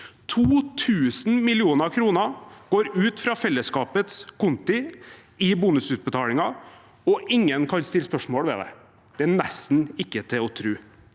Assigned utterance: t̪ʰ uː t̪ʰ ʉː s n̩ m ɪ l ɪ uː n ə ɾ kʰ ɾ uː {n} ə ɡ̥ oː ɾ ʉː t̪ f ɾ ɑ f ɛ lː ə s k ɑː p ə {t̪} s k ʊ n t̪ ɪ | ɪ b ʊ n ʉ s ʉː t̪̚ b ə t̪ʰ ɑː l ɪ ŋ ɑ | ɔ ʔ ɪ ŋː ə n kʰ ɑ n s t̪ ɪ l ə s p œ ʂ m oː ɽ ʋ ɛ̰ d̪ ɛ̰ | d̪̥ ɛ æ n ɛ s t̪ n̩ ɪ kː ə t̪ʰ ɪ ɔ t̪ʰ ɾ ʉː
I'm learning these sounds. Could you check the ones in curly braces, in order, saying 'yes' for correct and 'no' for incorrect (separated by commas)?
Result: yes, yes